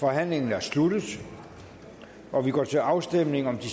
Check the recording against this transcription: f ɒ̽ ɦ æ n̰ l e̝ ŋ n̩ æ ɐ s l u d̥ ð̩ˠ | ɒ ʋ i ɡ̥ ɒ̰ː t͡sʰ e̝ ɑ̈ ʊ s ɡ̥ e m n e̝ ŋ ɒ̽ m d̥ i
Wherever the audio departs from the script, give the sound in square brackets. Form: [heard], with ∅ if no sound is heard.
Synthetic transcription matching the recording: f ɒ̽ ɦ æ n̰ l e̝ ŋ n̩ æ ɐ s l u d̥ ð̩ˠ | ɒ ʋ i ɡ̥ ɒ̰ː t͡sʰ e̝ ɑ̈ ʊ s [d̥] e m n e̝ ŋ ɒ̽ m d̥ i

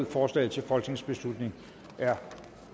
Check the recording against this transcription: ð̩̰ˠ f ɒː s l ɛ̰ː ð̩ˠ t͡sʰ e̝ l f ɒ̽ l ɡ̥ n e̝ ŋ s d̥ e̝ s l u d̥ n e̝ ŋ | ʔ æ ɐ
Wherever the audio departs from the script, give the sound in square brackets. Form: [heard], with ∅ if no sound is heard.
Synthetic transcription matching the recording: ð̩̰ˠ f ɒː s l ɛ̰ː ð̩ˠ t͡sʰ e̝ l f ɒ̽ l ɡ̥ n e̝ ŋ s [b̥] e̝ s l u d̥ n e̝ ŋ | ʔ æ ɐ

